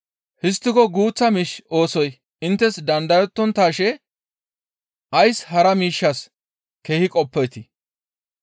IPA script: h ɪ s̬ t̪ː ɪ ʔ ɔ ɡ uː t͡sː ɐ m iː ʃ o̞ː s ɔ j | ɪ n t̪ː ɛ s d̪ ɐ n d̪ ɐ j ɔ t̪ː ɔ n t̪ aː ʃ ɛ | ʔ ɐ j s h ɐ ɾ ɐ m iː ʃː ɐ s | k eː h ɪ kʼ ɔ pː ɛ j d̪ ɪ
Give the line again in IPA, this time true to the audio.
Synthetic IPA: h ɪ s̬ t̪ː ɪ k ɔ ɡ uː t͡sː ɐ m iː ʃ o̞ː s ɔ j | ɪ n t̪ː ɛ s d̪ ɐ n d̪ ɐ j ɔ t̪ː ɔ n t̪ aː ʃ ɛ | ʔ ɐ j s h ɐ ɾ ɐ m iː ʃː ɐ s | k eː h ɪ kʼ ɔ pː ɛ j t̪ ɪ

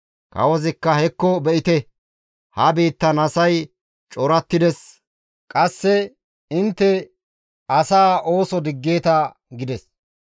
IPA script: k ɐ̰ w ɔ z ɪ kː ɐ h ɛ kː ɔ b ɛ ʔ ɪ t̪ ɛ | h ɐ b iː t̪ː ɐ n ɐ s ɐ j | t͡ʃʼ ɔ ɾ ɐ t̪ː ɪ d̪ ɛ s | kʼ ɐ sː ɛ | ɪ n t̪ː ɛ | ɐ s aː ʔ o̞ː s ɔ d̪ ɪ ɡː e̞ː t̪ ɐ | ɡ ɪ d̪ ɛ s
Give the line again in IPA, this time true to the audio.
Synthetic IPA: k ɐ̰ w ɔ z ɪ kː ɐ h ɛ kː ɔ b ɛ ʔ ɪ t̪ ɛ | h ɐ b iː t̪ː ɐ n ɐ s ɐ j | t͡ʃʼ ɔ ɾ ɐ t̪ː ɪ d̪ ɛ s | kʼ ɐ sː ɛ | ɪ n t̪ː ɛ | ɐ s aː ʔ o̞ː s ɔ d̪ ɪ ɡː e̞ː t̪ ɐ | ɡ ɪ d̪ ɛ s

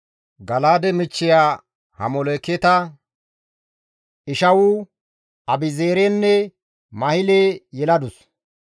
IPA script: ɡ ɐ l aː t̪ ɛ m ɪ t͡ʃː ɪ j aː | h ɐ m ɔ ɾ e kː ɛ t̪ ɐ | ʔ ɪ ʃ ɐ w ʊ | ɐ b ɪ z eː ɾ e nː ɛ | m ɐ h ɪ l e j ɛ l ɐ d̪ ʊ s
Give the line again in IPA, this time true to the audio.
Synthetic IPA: ɡ ɐ l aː d̪ ɛ m ɪ t͡ʃː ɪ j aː | h ɐ m ɔ l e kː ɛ t̪ ɐ | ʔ ɪ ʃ ɐ w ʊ | ɐ b ɪ z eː ɾ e nː ɛ | m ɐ h ɪ l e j ɛ l ɐ d̪ ʊ s

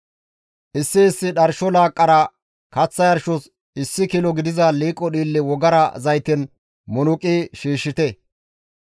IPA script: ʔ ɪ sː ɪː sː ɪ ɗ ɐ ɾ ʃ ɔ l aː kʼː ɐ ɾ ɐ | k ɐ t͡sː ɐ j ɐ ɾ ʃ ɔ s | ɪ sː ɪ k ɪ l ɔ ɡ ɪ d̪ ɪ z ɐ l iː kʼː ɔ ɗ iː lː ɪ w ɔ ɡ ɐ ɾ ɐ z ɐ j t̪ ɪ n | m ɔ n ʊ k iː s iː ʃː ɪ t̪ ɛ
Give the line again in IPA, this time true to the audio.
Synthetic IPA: ʔ ɪ sː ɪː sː ɪ ɗ ɐ ɾ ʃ ɔ l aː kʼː ɐ ɾ ɐ | k ɐ t͡sː ɐ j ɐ ɾ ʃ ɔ s | ɪ sː ɪ k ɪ l ɔ ɡ ɪ d̪ ɪ z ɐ l iː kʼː ɔ ɗ iː lː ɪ w ɔ ɡ ɐ ɾ ɐ z ɐ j t̪ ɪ n | m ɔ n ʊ kʼ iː ʃ iː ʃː ɪ t̪ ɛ

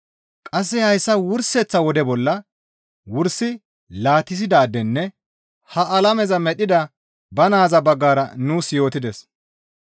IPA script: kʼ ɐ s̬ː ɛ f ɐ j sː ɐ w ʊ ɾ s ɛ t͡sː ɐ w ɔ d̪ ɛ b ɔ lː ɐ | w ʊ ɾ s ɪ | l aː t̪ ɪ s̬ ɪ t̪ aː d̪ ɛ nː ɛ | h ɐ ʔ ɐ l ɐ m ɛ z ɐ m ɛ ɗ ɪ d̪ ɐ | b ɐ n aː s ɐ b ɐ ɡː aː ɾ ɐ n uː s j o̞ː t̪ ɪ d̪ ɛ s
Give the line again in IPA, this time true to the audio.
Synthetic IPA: kʼ ɐ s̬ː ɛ h ɐ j sː ɐ w ʊ ɾ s ɛ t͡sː ɐ w ɔ d̪ ɛ b ɔ lː ɐ | w ʊ ɾ s ɪ | l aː t̪ ɪ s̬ ɪ d̪ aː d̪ ɛ nː ɛ | h ɐ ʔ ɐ l ɐ m ɛ z ɐ m ɛ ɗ ɪ d̪ ɐ | b ɐ n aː z ɐ b ɐ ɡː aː ɾ ɐ n uː s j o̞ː t̪ ɪ d̪ ɛ s

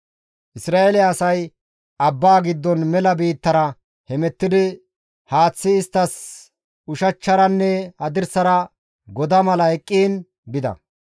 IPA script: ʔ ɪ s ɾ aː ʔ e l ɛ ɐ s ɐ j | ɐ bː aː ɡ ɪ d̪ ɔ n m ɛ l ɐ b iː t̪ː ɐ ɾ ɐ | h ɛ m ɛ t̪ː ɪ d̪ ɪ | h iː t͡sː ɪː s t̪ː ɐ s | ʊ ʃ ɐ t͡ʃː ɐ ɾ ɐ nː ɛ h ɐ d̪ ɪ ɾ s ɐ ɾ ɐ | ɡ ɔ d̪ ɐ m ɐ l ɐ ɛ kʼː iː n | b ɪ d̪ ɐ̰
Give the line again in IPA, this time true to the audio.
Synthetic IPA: ʔ ɪ s ɾ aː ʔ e l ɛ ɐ s ɐ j | ɐ bː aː ɡ ɪ d̪ː ɔ n m ɛ l ɐ b iː t̪ː ɐ ɾ ɐ | h ɛ m ɛ t̪ː ɪ d̪ ɪ | h aː t͡sː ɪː s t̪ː ɐ s | ʊ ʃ ɐ t͡ʃː ɐ ɾ ɐ nː ɛ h ɐ d̪ ɪ ɾ s ɐ ɾ ɐ | ɡ ɔ d̪ ɐ m ɐ l ɐ ɛ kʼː iː n | b ɪ d̪ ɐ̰

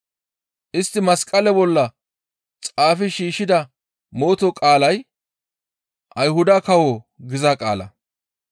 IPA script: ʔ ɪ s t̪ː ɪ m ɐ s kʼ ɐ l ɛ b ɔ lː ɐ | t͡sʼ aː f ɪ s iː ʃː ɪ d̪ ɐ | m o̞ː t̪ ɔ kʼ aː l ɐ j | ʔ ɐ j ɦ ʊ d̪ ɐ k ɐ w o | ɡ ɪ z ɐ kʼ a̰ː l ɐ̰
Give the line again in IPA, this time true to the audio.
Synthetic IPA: ʔ ɪ s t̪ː ɪ m ɐ s kʼ ɐ l ɛ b ɔ lː ɐ | t͡sʼ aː f ɪ ʃ iː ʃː ɪ d̪ ɐ | m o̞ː t̪ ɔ kʼ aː l ɐ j | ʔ ɐ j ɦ ʊ d̪ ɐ k ɐ w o | ɡ ɪ z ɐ kʼ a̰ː l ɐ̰

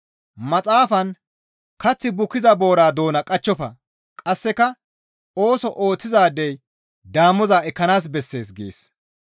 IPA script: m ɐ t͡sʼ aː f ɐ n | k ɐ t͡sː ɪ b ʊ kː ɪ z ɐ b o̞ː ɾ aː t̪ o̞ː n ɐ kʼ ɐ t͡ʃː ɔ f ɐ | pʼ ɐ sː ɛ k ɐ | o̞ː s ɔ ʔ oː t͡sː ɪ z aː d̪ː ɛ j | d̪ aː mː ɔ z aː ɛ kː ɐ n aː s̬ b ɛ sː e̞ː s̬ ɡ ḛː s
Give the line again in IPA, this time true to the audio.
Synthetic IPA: m ɐ t͡sʼ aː f ɐ n | k ɐ t͡sː ɪ b ʊ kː ɪ z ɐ b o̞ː ɾ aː d̪ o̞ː n ɐ kʼ ɐ t͡ʃː ɔ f ɐ | kʼ ɐ sː ɛ k ɐ | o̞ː s ɔ ʔ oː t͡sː ɪ z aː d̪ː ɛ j | d̪ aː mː ɔ z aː ɛ kː ɐ n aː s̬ b ɛ sː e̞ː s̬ ɡ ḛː s

